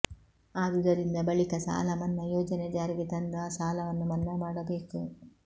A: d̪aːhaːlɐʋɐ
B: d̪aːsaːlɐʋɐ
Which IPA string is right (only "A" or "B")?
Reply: B